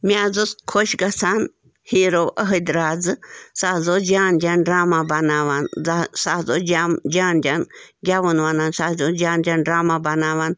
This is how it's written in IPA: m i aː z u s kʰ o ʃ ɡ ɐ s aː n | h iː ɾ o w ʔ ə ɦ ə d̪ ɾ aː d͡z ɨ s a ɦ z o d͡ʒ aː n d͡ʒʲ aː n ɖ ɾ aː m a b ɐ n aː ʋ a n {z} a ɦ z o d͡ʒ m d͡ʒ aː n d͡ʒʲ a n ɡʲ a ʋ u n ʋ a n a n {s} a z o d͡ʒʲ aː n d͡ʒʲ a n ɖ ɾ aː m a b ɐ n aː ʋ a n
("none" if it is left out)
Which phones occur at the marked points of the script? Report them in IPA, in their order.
s, s

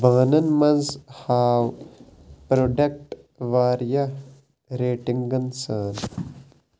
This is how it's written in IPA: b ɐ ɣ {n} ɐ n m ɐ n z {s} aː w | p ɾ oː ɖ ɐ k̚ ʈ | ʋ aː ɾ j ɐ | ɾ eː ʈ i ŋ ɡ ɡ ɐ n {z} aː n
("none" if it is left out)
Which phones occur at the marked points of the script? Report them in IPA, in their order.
n, h, s

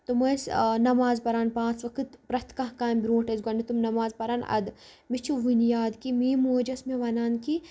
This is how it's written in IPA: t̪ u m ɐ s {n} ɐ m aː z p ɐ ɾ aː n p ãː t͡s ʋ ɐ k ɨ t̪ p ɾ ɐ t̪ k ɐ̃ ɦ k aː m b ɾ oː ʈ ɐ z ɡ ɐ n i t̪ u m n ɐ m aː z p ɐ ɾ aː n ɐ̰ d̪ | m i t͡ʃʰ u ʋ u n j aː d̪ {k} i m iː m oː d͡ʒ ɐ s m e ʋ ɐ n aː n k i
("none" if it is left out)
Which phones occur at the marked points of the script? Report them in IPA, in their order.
n, k

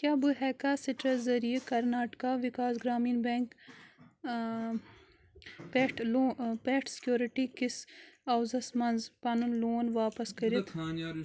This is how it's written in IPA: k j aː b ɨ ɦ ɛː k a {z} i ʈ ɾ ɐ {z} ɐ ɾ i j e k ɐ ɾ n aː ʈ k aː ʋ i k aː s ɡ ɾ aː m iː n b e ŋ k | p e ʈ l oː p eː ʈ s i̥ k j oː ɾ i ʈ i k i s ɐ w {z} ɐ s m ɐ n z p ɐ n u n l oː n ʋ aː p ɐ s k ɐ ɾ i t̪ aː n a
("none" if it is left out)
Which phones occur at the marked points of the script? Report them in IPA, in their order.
s, z, z

